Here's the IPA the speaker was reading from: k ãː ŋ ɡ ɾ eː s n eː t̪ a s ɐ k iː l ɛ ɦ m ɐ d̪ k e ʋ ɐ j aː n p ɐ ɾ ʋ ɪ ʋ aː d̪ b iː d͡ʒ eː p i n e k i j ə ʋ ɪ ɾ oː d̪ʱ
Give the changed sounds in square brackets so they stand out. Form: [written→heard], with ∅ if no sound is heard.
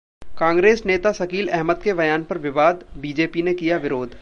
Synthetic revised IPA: k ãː ŋ ɡ ɾ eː s n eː t̪ a s ɐ k iː l ɛ ɦ m [ɐ→ə] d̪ k e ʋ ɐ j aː n p ɐ ɾ ʋ ɪ ʋ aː d̪ b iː d͡ʒ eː p i n e k i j [ə→a] ʋ ɪ ɾ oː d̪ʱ